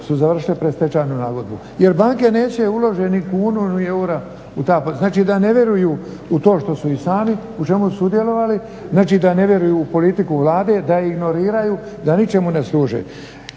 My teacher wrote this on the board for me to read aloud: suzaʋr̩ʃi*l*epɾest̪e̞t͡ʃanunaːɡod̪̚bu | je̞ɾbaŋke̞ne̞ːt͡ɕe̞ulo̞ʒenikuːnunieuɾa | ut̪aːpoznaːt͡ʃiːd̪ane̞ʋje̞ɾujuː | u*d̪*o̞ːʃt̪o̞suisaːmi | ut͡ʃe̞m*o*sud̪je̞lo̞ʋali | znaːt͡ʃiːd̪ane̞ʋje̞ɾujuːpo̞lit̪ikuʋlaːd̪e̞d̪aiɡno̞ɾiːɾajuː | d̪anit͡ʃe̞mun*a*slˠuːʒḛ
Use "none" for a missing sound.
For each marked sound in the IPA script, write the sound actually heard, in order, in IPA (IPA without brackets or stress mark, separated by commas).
l, t̪, u, e